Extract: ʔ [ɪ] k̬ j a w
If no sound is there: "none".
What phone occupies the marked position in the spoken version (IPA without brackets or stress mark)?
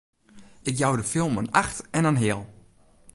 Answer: ɪ